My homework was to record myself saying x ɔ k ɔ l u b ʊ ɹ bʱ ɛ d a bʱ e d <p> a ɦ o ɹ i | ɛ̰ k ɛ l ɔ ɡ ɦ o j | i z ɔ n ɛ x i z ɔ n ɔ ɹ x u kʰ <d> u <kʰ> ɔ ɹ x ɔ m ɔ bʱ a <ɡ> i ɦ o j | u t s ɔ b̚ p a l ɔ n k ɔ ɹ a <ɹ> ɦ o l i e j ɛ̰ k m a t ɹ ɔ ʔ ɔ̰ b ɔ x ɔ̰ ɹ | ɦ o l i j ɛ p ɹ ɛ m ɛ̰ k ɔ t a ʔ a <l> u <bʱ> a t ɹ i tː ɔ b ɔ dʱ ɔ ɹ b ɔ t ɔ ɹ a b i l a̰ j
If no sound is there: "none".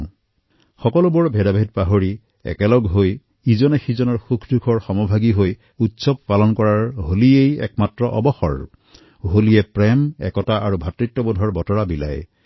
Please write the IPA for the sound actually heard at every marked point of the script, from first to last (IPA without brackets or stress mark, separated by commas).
p, d, kʰ, ɡ, ɹ, ɹ, bʱ